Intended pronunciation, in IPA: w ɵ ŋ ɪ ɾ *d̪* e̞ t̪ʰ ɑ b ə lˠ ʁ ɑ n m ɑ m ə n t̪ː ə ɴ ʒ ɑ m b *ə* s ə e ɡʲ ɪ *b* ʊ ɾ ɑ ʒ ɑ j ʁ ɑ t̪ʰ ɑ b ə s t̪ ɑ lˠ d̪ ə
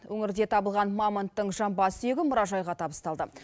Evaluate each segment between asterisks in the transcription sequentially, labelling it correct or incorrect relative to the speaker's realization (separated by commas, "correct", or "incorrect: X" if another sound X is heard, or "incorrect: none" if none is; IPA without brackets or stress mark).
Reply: correct, incorrect: ɑ, incorrect: m